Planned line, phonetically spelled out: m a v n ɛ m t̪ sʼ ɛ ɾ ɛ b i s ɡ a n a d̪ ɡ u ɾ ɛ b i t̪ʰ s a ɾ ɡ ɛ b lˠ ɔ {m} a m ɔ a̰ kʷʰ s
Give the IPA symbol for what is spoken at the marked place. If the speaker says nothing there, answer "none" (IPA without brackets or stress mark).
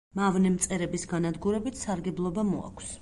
b